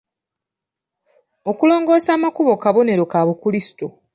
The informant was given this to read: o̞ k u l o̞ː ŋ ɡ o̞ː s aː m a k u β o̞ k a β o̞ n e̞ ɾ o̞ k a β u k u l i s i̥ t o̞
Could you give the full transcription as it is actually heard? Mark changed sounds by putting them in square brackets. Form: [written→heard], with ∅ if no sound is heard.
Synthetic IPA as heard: o̞ k u l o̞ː ŋ ɡ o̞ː s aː m a k u β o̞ k a β o̞ n e̞ ɾ o̞ k a β u k u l i s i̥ t o̞